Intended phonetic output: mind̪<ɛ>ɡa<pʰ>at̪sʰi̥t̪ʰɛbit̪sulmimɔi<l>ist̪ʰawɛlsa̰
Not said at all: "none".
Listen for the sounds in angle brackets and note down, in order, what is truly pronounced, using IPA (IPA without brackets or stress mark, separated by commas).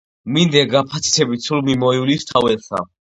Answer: ɛ, pʰ, l